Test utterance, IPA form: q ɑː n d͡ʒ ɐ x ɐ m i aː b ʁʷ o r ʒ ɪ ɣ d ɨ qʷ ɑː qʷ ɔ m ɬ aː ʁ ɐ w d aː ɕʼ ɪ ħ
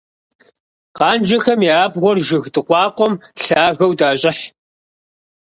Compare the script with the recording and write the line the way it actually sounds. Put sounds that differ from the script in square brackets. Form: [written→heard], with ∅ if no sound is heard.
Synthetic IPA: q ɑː n d͡ʒ ɐ x ɐ m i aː b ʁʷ [o→ɔ] r ʒ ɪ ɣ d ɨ qʷ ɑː qʷ ɔ m ɬ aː [ʁ→ɣ] ɐ w d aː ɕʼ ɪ ħ

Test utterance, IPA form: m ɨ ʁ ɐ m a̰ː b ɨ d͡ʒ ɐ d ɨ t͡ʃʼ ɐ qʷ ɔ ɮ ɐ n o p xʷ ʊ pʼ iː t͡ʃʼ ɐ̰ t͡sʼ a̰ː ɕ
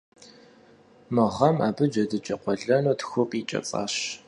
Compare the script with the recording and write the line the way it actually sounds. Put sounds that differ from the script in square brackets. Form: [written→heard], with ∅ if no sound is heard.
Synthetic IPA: m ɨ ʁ ɐ m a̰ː b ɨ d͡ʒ ɐ d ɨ t͡ʃʼ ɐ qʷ ɔ ɮ ɐ n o [p→t] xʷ ʊ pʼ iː t͡ʃʼ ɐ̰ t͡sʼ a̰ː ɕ

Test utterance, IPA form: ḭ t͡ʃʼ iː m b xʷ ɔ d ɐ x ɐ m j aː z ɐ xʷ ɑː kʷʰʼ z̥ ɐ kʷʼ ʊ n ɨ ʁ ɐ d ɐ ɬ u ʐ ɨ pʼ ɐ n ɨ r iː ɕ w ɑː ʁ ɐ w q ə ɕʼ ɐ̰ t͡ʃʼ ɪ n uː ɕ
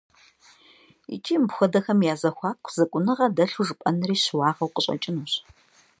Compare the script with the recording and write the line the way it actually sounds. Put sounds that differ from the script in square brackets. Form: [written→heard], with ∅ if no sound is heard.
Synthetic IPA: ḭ t͡ʃʼ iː m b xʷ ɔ d ɐ x ɐ m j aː z ɐ xʷ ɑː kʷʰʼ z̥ ɐ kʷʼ ʊ n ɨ ʁ ɐ d ɐ ɬ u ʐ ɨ pʼ ɐ n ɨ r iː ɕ w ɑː ʁ ɐ w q ə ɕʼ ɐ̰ t͡ʃʼ ɪ n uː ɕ

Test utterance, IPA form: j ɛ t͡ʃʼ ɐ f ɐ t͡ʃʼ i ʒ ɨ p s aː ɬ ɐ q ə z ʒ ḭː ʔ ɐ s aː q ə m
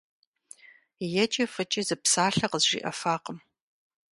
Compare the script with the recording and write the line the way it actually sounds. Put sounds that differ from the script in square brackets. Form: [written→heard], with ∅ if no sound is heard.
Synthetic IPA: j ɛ t͡ʃʼ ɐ f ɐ t͡ʃʼ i [ʒ→z] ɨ p s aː ɬ ɐ q ə z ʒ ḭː ʔ ɐ [s→f] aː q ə m

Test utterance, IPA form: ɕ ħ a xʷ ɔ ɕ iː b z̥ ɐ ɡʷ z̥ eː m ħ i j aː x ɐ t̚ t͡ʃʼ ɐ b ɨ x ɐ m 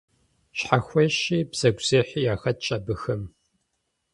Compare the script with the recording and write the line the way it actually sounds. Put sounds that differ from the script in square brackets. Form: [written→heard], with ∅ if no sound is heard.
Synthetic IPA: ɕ ħ a xʷ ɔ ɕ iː b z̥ ɐ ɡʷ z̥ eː [m→∅] ħ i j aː x ɐ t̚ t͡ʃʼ ɐ b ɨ x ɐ m

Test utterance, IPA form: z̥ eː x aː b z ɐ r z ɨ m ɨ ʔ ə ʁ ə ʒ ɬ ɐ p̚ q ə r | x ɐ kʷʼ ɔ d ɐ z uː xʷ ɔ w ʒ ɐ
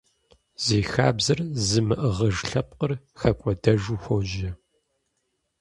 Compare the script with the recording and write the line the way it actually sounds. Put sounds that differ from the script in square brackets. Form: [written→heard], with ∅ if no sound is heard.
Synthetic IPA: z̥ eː x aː b z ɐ r z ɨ m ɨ ʔ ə ʁ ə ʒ ɬ ɐ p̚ q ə r | x ɐ kʷʼ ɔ d ɐ [z→ʒ] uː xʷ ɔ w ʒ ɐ

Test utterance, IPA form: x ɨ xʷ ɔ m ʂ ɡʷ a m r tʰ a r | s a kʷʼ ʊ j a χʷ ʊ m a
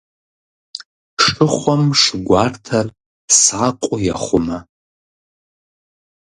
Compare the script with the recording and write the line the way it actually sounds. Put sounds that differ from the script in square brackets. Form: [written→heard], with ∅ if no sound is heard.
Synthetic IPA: [x→ʂ] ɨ [xʷ→χʷ] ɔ m ʂ ɡʷ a [m→∅] r tʰ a r | s a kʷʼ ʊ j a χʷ ʊ m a

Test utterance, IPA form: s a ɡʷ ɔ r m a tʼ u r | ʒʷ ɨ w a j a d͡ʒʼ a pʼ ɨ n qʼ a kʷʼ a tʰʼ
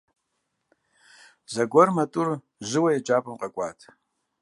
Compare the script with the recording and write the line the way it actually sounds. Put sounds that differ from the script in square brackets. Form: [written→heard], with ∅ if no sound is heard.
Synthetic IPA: [s→z] a ɡʷ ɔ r m a tʼ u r | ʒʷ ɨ w a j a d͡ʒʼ a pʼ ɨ [n→m] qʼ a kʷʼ a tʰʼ

